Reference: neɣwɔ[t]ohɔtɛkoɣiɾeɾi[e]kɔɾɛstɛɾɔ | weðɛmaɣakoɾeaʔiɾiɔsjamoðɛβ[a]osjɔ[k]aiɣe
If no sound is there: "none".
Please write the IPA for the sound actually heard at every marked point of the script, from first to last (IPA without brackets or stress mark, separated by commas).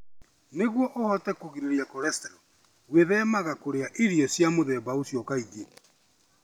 ʔ, a, a, k